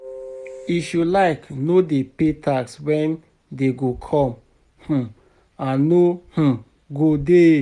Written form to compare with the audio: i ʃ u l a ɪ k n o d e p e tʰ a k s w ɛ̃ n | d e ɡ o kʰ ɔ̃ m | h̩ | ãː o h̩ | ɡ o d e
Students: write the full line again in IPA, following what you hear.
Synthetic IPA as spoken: i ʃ u l a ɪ k n o d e p e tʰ a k s w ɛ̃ n | d e ɡ o kʰ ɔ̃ m | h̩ | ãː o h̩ | ɡ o d e